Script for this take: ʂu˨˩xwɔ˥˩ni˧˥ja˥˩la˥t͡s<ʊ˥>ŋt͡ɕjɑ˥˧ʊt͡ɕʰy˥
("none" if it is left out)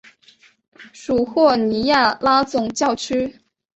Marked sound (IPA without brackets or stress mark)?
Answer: ʊ˨˩